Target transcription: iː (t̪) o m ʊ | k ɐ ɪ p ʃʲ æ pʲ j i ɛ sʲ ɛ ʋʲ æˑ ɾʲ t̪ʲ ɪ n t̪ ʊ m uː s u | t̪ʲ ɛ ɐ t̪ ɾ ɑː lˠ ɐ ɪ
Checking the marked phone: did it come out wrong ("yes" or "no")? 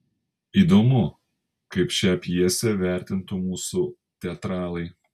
yes